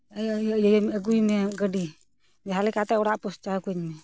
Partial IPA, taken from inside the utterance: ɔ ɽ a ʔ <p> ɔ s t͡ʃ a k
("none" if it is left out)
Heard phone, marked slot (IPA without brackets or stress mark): p